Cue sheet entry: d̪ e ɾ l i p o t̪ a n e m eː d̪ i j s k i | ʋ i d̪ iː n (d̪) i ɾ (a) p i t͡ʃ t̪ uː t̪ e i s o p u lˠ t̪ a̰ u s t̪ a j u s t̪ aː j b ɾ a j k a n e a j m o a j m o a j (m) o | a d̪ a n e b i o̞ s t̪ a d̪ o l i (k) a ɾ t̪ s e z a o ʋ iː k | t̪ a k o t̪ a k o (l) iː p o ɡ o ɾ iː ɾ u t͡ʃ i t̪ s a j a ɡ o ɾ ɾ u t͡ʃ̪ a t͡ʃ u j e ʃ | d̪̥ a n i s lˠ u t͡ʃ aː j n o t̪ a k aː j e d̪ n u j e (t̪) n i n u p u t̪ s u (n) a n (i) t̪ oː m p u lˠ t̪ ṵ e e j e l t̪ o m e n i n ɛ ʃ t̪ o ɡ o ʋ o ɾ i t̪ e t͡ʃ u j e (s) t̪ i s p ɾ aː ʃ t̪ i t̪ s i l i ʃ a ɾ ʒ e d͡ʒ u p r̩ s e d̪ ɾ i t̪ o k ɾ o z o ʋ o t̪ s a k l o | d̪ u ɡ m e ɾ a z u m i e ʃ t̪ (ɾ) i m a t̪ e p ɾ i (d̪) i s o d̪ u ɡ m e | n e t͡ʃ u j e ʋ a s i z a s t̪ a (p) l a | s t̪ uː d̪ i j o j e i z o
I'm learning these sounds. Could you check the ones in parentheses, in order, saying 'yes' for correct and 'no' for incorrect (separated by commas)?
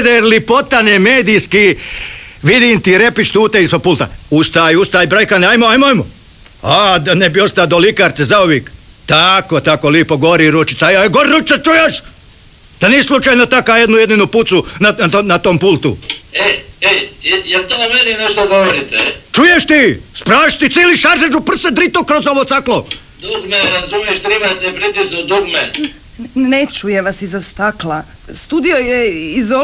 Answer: no, no, yes, yes, yes, no, yes, no, no, yes, no, no